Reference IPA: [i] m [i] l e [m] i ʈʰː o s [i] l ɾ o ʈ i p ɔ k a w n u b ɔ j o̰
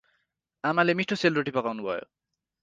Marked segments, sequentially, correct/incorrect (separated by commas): incorrect, incorrect, correct, incorrect